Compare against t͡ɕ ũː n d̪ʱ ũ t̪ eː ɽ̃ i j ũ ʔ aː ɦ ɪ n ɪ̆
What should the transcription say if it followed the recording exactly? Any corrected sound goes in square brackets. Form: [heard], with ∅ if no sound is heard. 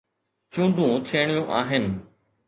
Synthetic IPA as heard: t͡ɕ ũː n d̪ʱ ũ [t̪ʰ] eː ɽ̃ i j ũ ʔ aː ɦ ɪ n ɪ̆

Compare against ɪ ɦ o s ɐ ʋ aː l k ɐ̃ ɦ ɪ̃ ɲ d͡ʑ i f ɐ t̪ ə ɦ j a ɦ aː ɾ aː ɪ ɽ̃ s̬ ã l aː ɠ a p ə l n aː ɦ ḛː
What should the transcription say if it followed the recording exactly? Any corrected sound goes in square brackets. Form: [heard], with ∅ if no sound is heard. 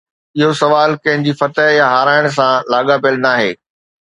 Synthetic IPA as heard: ɪ ɦ o s ɐ ʋ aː l k ɐ̃ ɦ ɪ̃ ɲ d͡ʑ i f ɐ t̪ ə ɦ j a ɦ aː ɾ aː ɪ ɽ̃ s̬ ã l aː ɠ a p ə l n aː ɦ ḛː

